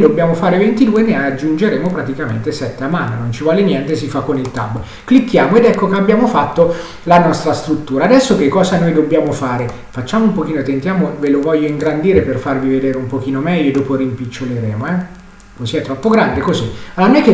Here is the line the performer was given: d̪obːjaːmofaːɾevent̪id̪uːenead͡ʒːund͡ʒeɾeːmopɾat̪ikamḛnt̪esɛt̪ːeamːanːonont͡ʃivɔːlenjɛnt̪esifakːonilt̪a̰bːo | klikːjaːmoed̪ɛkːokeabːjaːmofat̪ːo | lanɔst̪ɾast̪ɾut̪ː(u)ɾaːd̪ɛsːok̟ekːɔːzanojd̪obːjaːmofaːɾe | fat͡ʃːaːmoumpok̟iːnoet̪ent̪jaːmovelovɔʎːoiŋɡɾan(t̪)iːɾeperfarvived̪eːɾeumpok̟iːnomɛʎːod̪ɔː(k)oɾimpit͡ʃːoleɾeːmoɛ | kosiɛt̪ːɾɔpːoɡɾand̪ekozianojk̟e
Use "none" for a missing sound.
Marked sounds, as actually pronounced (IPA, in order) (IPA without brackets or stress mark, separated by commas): uː, d̪, p